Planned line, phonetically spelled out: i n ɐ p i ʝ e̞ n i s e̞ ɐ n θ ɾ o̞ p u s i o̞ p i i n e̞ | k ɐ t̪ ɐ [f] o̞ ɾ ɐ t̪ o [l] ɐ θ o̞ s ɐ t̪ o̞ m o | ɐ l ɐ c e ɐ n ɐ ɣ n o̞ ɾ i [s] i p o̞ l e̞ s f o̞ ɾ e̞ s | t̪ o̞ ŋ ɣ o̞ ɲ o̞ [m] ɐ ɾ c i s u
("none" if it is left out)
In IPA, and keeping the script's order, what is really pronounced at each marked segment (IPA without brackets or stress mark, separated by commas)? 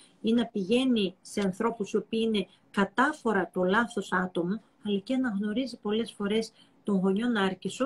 f, l, z, n